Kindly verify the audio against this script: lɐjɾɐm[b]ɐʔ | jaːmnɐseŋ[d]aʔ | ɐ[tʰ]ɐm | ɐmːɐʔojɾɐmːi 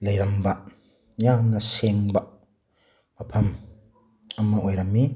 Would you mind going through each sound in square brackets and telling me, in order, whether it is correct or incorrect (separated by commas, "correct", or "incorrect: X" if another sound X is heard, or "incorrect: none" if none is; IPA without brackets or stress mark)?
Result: correct, incorrect: b, incorrect: pʰ